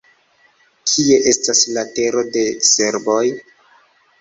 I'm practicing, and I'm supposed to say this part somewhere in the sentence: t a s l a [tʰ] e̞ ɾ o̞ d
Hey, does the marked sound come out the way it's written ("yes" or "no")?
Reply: no